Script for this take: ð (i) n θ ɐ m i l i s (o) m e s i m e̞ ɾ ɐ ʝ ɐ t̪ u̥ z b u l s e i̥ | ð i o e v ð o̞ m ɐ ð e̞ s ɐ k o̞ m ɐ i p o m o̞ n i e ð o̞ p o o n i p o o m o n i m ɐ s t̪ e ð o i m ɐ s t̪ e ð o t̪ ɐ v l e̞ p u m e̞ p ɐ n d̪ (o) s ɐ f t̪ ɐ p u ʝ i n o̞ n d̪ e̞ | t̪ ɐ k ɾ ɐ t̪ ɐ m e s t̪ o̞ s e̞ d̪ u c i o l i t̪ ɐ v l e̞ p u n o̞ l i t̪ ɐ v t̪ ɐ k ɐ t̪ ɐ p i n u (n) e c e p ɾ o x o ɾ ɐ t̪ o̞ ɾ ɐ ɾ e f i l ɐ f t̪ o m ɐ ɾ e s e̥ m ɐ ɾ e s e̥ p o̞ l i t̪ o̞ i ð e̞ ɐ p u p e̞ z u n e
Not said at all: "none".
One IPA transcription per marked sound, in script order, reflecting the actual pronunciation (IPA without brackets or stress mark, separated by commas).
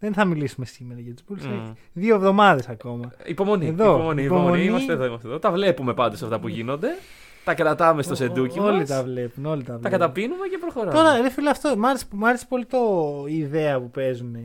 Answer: e, u, o, m